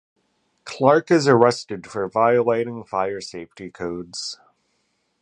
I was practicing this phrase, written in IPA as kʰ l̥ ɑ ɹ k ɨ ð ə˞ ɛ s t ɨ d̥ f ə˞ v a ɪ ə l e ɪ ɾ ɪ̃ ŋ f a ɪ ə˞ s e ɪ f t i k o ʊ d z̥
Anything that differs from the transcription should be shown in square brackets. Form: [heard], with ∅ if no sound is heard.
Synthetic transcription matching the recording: kʰ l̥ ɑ ɹ k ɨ [z] ə˞ ɛ s t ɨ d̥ f ə˞ v a ɪ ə l e ɪ ɾ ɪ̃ ŋ f a ɪ ə˞ s e ɪ f t i [kʰ] o ʊ d z̥